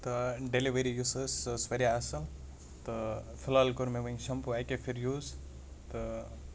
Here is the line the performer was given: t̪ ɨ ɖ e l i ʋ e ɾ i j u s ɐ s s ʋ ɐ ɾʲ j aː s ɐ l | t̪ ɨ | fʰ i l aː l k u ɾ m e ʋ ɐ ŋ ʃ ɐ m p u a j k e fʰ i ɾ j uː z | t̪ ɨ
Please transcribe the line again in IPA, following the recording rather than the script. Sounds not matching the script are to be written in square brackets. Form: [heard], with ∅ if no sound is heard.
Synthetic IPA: t̪ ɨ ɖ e l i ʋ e ɾ i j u s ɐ s s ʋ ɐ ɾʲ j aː s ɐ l | t̪ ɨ | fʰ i l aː l k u ɾ m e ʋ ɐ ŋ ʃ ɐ m p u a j k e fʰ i ɾ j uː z | t̪ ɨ